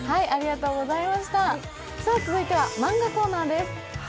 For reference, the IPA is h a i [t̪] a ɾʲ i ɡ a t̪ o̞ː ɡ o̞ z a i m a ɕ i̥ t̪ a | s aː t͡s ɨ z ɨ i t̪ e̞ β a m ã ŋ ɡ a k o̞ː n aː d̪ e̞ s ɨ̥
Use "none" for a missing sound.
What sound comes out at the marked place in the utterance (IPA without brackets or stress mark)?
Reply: none